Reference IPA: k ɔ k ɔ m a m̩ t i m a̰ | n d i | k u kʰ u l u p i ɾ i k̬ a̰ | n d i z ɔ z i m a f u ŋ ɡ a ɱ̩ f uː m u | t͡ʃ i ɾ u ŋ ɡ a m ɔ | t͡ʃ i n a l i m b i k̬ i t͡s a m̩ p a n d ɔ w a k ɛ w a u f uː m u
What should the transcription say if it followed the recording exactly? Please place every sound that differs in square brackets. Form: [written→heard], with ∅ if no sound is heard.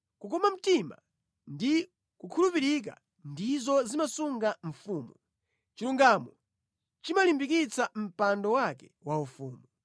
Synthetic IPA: k [ɔ→u] k ɔ m a m̩ t i m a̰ | n d i | k u kʰ u l u p i ɾ i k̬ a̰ | n d i z ɔ z i m a [f→s] u ŋ ɡ a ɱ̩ f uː m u | t͡ʃ i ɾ u ŋ ɡ a m ɔ | t͡ʃ i [n→m] a l i m b i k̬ i t͡s a m̩ p a n d ɔ w a k ɛ w a u f uː m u